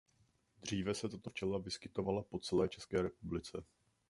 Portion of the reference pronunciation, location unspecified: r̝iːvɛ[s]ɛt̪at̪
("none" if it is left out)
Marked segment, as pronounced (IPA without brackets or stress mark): s